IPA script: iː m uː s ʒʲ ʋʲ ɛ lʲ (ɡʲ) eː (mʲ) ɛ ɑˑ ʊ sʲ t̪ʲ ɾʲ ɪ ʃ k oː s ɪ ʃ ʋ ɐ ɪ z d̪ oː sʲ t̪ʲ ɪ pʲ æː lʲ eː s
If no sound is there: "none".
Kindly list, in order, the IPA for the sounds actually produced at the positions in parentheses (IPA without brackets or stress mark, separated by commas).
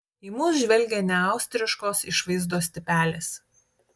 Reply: ɡʲ, nʲ